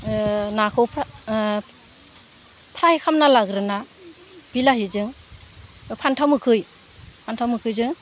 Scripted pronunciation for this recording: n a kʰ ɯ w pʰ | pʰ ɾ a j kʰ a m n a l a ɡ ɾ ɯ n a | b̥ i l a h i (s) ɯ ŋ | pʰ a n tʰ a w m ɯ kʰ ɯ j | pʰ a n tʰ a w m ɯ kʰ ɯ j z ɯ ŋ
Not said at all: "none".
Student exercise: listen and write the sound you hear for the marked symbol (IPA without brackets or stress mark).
z